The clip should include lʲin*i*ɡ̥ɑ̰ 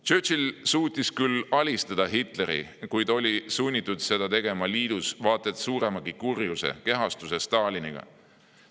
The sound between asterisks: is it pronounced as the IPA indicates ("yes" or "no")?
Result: yes